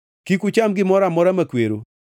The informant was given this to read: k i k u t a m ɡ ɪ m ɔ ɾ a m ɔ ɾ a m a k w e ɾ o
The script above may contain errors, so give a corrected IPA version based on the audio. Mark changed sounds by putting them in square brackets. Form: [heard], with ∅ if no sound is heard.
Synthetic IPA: k i k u [t͡ʃ] a m ɡ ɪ m ɔ ɾ a m ɔ ɾ a m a k w e ɾ o